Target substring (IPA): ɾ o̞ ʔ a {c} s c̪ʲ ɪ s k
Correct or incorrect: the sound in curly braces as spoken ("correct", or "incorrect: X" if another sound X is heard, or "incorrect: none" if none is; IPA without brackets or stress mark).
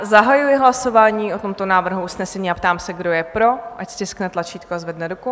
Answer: correct